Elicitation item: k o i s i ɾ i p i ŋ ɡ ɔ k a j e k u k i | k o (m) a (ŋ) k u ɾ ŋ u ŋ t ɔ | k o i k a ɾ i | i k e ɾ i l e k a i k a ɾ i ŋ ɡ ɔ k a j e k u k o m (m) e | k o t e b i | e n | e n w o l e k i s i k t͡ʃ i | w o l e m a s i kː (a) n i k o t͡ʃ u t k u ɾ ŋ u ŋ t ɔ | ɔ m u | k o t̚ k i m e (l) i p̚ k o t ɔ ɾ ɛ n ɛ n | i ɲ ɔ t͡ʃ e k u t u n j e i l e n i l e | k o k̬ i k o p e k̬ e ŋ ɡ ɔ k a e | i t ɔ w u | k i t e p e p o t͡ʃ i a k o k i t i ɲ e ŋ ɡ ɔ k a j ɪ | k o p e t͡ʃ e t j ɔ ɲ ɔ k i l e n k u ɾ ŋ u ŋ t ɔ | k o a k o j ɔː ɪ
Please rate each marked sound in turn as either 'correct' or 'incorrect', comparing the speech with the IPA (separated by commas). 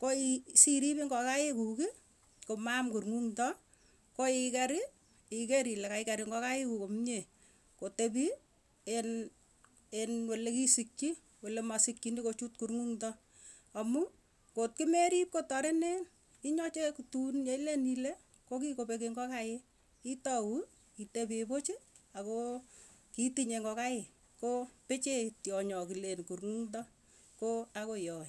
correct, incorrect, incorrect, incorrect, incorrect